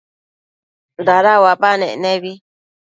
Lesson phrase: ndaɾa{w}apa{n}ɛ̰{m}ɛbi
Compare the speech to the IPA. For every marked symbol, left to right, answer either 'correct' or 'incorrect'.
correct, correct, incorrect: n

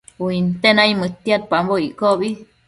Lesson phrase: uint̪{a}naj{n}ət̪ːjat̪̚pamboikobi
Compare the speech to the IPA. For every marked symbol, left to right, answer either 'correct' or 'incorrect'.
incorrect: e, incorrect: m

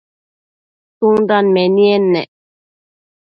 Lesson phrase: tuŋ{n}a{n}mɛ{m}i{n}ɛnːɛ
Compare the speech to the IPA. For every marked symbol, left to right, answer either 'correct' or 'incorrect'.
incorrect: d, correct, incorrect: n, incorrect: none

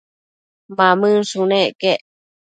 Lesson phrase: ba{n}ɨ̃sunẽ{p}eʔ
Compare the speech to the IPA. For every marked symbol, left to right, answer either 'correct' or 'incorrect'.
incorrect: m, incorrect: k

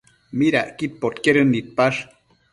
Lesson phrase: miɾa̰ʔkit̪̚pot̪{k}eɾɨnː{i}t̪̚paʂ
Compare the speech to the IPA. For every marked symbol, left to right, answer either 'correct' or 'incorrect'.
correct, correct

